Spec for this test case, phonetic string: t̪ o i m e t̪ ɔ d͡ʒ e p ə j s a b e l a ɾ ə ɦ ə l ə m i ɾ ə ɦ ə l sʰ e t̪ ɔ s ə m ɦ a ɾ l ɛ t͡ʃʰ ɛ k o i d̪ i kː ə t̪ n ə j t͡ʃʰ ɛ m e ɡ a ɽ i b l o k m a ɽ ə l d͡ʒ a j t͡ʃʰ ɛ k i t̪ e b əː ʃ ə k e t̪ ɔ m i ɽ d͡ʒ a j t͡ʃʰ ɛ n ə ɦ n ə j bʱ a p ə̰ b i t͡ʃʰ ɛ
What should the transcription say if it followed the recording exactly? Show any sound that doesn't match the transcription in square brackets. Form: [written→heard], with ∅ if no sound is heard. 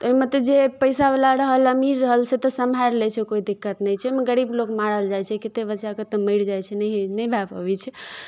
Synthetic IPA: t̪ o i m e t̪ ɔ d͡ʒ e p ə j s a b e l a ɾ ə ɦ ə l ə m i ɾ ə ɦ ə l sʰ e t̪ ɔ s ə m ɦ a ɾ l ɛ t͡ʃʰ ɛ k o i d̪ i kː ə t̪ n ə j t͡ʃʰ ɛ m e ɡ [a→ə] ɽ i b l o k m a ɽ ə l d͡ʒ a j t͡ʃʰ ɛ k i t̪ e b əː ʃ [ə→a] k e t̪ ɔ m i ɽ d͡ʒ a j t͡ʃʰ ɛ n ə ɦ n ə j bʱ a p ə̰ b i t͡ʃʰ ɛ